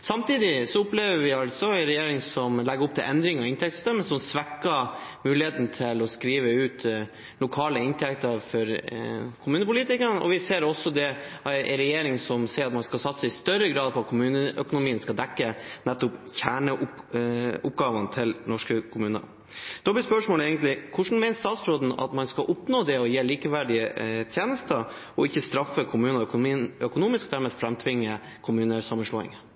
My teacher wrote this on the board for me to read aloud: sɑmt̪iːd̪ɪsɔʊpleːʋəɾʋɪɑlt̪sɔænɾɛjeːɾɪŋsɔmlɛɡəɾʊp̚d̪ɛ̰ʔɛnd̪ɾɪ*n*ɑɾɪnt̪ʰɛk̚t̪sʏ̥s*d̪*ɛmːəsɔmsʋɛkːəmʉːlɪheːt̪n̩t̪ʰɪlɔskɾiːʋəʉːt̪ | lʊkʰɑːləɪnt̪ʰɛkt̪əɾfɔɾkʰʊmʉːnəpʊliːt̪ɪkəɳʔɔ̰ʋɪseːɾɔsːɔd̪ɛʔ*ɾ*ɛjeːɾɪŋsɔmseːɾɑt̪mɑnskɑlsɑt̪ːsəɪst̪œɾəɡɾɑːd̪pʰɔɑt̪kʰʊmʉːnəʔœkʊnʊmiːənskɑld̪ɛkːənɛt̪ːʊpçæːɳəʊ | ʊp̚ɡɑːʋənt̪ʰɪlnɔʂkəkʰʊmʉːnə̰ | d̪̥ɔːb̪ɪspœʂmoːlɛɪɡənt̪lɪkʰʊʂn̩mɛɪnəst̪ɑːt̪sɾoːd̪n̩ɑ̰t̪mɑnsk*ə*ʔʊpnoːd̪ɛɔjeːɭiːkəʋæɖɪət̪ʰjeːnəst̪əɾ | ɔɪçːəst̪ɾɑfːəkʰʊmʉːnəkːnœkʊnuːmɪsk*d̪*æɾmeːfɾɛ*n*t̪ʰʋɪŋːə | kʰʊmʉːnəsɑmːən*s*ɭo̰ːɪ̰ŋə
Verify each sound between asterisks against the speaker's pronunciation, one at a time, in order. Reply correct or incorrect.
incorrect: ŋ, incorrect: t̪, correct, incorrect: ɑ, correct, incorrect: m, incorrect: ʂ

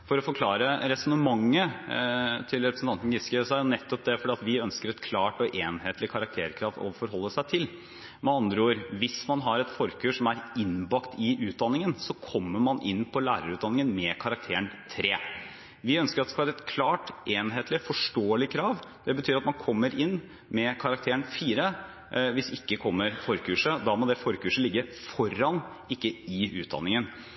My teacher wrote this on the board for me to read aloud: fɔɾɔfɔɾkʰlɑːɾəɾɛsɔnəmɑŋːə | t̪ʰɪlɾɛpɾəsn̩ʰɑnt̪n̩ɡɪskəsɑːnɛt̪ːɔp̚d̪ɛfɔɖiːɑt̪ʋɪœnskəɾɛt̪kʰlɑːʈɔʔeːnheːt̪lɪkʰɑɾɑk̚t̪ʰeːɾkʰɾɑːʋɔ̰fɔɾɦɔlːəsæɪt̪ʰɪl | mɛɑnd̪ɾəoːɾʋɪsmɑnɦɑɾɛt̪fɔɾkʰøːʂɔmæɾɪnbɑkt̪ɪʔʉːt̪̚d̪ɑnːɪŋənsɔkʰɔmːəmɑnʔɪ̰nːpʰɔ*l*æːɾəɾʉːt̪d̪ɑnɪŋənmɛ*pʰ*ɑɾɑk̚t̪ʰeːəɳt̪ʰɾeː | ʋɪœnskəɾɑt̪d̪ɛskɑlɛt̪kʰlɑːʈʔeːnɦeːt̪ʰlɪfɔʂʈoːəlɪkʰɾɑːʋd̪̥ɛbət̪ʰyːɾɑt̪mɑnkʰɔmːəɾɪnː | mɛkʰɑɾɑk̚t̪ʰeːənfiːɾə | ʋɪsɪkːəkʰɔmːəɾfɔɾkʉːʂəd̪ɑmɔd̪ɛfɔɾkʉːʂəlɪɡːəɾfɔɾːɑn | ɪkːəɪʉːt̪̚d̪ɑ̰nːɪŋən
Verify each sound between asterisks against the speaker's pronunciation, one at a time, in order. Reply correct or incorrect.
correct, incorrect: kʰ

